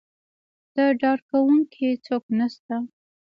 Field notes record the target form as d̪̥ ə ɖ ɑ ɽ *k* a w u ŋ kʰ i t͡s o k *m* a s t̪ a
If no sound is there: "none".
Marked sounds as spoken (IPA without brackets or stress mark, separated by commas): k, n